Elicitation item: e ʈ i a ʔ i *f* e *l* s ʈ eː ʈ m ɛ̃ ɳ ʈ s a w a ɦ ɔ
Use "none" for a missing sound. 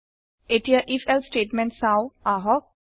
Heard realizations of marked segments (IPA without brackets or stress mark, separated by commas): f, l